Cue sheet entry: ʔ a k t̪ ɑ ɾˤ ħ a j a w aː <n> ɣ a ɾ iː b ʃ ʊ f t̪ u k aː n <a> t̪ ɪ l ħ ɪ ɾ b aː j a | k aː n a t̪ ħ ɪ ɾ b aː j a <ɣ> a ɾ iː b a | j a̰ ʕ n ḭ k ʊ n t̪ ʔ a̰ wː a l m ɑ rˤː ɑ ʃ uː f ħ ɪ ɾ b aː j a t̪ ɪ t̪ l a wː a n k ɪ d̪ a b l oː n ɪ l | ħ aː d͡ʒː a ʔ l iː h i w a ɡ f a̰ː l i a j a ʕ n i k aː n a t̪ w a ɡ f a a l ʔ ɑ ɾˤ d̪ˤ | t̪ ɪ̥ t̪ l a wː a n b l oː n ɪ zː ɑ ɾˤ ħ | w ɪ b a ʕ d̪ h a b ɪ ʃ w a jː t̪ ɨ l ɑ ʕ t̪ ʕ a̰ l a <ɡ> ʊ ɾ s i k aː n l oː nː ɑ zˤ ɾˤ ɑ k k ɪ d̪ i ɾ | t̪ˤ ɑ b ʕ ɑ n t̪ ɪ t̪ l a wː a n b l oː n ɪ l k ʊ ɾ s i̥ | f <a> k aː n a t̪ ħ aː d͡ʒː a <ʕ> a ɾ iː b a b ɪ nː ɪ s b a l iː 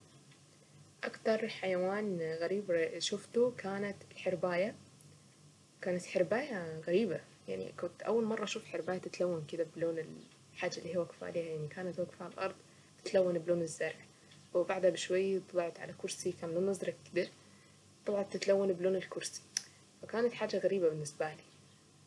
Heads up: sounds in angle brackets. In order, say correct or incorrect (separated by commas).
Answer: correct, correct, correct, incorrect, correct, incorrect